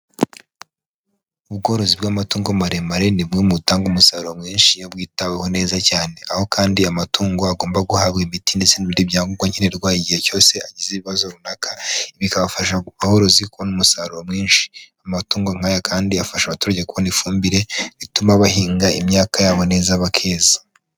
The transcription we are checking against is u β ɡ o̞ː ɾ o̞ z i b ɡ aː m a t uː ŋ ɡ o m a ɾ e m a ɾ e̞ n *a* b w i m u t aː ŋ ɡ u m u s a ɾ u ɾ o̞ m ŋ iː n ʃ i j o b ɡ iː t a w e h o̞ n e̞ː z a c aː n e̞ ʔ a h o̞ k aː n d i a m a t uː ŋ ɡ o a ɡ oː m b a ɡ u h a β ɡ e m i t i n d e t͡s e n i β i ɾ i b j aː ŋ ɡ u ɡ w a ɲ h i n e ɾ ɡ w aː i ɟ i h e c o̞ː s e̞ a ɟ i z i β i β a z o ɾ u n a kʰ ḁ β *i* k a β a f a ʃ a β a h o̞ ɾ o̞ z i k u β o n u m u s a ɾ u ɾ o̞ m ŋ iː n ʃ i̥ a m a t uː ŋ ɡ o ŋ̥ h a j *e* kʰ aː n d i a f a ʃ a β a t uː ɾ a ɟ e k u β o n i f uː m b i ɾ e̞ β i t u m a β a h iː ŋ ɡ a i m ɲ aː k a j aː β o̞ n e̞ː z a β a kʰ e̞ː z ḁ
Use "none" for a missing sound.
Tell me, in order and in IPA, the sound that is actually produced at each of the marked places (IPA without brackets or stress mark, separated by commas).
i, i, a